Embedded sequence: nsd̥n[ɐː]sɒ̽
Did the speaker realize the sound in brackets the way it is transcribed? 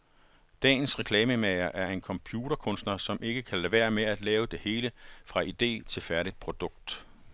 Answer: no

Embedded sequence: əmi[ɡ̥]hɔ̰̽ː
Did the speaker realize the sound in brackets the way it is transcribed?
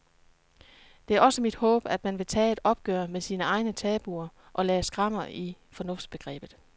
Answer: no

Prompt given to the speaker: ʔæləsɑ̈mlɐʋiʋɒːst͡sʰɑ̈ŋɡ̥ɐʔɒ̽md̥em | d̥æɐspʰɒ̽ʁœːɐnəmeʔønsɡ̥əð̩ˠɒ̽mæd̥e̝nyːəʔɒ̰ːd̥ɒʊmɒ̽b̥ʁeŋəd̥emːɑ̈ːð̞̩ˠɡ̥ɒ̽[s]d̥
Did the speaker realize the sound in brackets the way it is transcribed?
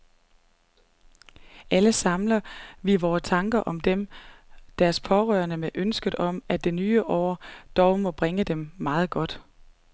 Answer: no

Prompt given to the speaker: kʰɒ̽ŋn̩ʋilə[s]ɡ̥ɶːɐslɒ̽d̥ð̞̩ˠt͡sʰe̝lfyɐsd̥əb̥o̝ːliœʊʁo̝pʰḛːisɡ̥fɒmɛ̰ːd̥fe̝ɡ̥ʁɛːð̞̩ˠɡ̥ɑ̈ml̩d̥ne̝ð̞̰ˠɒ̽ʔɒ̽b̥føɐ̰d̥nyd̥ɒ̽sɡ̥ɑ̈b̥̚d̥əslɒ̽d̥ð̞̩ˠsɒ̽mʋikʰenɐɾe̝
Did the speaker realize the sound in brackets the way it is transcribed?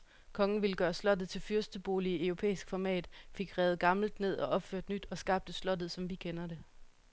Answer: no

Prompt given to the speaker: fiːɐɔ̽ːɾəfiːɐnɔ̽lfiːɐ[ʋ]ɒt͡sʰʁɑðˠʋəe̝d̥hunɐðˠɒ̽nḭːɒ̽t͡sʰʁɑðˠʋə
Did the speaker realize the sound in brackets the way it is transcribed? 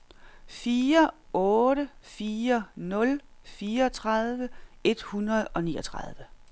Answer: no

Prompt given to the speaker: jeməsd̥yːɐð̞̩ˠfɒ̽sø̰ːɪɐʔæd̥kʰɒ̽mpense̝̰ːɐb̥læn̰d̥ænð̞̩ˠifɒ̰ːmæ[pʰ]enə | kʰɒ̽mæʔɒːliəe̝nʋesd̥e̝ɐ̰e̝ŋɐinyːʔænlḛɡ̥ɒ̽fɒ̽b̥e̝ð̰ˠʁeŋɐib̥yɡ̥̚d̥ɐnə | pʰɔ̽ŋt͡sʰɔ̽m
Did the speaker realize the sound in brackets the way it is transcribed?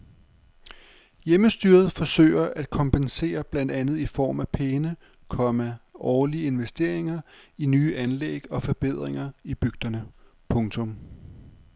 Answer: yes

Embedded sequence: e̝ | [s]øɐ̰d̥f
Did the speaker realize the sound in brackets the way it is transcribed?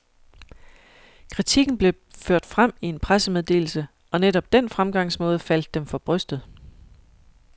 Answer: no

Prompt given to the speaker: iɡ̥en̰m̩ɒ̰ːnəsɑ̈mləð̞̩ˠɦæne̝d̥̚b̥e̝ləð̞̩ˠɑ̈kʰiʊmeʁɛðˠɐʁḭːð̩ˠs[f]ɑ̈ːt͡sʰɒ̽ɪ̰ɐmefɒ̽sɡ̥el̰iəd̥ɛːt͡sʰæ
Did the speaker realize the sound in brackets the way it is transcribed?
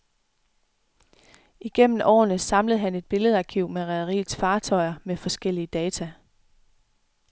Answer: yes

